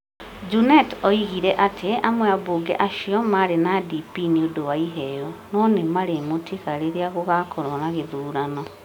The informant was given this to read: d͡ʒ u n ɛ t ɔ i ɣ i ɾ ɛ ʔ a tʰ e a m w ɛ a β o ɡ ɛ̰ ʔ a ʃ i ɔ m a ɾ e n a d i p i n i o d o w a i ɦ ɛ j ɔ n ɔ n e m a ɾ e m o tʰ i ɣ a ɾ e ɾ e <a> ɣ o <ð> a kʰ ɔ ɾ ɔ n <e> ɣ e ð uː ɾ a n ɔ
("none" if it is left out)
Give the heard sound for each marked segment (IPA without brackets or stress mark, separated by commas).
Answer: a, ɣ, a